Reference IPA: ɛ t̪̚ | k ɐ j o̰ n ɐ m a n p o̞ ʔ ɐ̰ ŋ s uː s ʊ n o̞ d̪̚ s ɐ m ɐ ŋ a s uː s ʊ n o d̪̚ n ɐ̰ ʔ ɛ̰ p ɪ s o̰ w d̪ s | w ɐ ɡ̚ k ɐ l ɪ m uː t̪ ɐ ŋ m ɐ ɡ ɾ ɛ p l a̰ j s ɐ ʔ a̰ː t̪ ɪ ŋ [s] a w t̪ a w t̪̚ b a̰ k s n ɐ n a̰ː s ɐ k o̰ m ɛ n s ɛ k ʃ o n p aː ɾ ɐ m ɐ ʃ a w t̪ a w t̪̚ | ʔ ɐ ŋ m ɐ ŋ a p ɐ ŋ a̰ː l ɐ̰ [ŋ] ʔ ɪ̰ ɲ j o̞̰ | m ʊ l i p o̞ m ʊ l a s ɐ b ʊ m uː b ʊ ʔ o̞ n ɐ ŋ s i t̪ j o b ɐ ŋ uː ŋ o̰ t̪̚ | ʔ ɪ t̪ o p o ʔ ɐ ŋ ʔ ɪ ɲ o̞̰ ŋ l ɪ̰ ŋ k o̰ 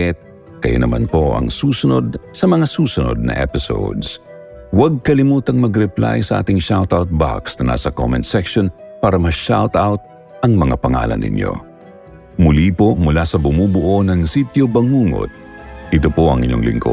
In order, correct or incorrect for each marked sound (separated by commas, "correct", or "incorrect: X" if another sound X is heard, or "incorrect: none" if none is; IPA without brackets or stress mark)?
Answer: incorrect: ʃ, incorrect: n